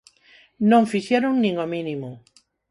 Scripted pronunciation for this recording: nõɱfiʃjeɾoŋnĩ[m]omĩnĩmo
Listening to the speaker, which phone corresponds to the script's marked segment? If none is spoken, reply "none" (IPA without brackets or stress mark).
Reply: ŋ